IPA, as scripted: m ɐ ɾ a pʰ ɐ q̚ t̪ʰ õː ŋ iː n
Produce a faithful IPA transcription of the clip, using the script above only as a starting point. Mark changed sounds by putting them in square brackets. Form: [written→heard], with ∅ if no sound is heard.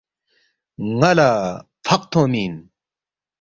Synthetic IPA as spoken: [m→ŋ] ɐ [ɾ→l] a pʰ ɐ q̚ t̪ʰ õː [ŋ→m] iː n